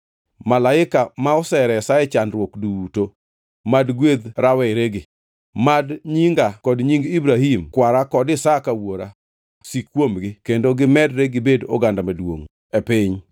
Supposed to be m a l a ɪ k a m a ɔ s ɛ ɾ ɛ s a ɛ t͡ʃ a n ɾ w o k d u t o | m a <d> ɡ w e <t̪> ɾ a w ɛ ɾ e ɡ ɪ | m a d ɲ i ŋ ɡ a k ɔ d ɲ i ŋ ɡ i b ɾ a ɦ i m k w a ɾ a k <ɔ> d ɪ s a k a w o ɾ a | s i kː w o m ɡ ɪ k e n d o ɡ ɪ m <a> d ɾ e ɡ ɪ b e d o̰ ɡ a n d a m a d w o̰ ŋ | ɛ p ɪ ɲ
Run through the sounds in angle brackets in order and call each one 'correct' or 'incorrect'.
correct, incorrect: d̪, correct, incorrect: ɛ

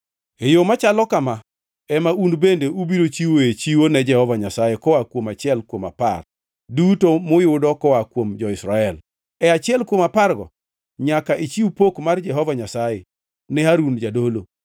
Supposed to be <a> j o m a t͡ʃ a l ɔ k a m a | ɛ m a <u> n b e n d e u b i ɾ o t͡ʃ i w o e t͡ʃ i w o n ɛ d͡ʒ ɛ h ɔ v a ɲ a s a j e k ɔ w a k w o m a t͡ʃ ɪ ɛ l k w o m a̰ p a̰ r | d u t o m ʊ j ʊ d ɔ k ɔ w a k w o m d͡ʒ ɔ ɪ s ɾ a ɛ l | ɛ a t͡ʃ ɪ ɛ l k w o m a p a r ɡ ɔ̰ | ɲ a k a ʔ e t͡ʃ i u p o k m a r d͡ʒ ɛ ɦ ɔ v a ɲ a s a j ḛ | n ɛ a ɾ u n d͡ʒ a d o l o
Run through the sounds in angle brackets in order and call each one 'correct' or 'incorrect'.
incorrect: e, correct

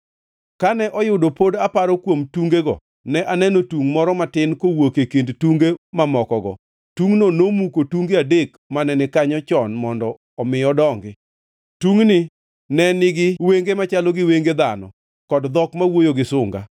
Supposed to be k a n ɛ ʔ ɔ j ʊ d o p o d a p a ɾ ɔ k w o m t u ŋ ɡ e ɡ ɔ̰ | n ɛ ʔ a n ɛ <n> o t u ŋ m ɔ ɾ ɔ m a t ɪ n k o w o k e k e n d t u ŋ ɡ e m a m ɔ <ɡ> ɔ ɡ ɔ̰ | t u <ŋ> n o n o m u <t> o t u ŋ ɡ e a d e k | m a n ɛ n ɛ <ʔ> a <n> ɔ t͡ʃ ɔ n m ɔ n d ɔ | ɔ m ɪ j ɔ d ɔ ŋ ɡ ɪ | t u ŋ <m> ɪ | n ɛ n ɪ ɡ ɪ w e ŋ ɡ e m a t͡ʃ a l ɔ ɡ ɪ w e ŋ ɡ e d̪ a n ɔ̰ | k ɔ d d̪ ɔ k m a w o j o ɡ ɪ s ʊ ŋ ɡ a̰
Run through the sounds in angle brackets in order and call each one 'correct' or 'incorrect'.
correct, incorrect: k, correct, incorrect: k, incorrect: k, incorrect: ɲ, incorrect: n

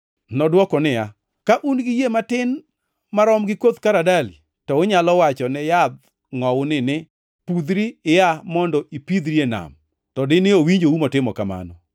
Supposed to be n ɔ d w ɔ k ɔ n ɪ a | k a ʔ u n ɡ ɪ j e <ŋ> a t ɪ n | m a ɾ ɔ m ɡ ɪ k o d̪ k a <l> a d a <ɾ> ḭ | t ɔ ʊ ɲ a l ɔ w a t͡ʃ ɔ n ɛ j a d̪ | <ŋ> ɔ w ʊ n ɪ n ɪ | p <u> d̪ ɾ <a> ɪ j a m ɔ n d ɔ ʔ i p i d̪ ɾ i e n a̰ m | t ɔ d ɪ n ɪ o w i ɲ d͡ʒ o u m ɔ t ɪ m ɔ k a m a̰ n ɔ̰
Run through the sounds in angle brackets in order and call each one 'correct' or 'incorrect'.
incorrect: m, incorrect: ɾ, incorrect: l, correct, correct, incorrect: i

